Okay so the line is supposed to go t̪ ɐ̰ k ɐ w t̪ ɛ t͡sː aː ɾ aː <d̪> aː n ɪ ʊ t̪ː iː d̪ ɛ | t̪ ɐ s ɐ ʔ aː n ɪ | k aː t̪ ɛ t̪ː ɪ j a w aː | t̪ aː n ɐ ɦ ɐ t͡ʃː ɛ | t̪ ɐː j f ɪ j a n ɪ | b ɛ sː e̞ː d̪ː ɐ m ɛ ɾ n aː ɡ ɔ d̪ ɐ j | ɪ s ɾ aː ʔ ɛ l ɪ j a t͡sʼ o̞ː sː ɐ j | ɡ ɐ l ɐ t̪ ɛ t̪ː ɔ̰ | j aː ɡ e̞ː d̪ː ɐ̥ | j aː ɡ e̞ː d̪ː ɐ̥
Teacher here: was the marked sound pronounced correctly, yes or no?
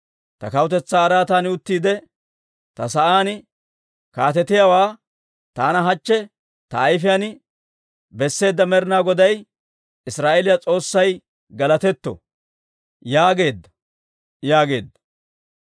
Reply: no